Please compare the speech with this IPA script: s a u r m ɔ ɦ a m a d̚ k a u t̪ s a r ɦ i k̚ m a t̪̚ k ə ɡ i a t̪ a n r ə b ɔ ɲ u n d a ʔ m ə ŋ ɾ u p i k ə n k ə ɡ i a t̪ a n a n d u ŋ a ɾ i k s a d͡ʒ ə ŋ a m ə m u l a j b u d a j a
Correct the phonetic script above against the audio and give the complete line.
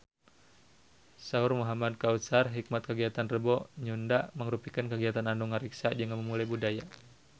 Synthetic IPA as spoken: s a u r m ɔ ɦ a m a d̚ k a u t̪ s a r ɦ i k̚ m a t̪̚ k ə ɡ i a t̪ a n r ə b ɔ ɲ u n d a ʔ m ə ŋ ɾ u p i k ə n k ə ɡ i a t̪ a n a n d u ŋ a ɾ i k s a d͡ʒ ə ŋ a m ə m u l a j b u d a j a